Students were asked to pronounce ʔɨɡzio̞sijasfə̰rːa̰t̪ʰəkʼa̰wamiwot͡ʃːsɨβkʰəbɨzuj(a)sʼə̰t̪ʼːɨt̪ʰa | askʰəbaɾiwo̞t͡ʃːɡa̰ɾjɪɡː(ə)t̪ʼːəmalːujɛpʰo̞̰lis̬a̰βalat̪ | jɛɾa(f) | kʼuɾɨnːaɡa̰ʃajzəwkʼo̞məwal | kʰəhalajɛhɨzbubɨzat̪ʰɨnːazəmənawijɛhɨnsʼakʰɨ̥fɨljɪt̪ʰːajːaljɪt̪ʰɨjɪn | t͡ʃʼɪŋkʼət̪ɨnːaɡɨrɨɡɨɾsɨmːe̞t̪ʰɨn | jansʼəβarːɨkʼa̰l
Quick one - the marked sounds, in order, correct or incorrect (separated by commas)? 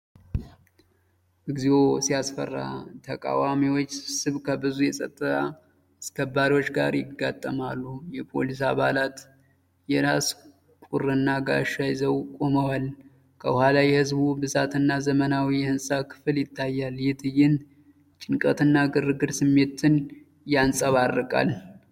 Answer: incorrect, incorrect, incorrect